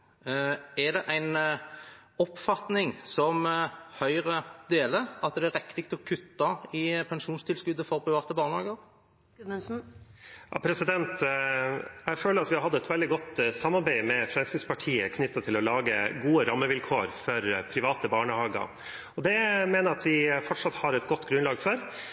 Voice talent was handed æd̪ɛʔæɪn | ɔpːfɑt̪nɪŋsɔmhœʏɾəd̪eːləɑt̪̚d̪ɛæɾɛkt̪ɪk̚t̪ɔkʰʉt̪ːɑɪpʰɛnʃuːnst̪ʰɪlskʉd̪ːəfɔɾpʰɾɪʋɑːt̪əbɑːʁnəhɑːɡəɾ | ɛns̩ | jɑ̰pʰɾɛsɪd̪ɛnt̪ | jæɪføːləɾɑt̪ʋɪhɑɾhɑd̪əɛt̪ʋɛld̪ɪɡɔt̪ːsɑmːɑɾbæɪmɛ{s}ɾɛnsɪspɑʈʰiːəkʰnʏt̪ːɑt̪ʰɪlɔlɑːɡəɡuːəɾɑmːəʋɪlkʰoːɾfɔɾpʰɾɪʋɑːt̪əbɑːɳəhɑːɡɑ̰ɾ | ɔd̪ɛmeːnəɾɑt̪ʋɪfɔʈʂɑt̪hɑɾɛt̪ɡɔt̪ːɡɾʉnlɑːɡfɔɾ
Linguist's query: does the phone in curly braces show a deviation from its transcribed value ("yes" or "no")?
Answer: yes